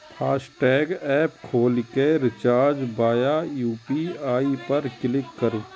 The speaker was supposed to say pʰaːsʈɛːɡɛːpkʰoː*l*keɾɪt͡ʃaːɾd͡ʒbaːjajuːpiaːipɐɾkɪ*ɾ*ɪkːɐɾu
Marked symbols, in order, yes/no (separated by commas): yes, no